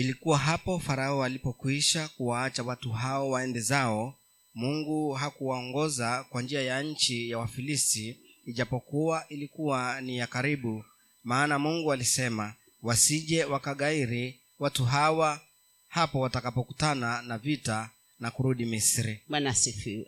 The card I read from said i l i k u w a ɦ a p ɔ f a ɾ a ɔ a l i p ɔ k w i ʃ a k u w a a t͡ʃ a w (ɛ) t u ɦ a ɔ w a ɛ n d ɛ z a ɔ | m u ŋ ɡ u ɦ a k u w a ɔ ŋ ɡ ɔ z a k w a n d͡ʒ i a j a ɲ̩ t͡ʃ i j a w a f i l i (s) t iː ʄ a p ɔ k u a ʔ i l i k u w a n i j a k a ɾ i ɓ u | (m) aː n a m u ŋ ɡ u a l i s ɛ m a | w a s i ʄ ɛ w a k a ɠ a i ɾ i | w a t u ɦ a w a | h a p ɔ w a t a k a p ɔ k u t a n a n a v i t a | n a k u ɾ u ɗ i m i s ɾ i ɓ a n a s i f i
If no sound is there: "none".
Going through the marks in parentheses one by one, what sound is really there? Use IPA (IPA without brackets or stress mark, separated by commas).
a, s, m